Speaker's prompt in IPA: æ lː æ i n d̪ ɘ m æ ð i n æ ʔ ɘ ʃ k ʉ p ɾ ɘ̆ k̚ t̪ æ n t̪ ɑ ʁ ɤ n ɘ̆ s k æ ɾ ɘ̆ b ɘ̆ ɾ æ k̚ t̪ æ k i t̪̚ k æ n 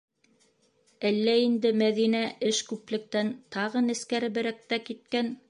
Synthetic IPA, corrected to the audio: æ lː æ i n d̪ ɘ m æ ð i n æ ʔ ɘ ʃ k ʉ p l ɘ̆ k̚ t̪ æ n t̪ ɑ ʁ ɤ n ɘ̆ s k æ ɾ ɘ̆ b ɘ̆ ɾ æ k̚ t̪ æ k i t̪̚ k æ n